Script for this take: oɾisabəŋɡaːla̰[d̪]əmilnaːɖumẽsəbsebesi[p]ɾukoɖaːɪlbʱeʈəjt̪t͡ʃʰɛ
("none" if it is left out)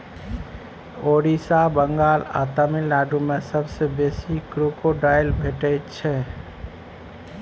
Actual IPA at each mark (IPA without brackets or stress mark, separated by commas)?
t̪, k